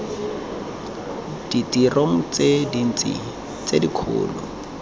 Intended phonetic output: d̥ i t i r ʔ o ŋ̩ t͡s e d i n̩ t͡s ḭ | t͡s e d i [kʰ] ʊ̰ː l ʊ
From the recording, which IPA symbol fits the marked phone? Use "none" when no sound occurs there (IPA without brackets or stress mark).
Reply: kʰ